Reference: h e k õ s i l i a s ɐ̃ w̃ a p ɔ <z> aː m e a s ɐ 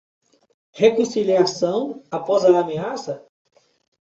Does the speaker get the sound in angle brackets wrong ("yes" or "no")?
no